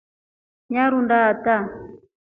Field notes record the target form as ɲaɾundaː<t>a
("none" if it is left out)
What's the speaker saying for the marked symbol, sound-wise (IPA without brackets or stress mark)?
t